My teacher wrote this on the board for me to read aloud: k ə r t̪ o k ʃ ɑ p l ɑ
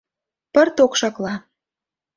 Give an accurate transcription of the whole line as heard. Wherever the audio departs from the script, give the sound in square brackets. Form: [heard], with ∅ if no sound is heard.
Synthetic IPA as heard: [p] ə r t̪ o k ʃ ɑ [k] l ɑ